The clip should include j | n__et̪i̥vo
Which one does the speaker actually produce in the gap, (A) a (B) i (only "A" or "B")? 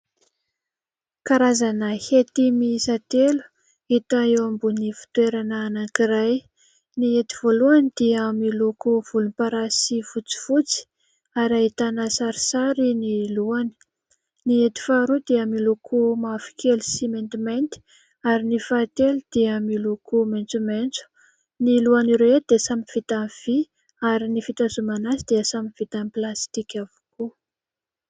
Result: B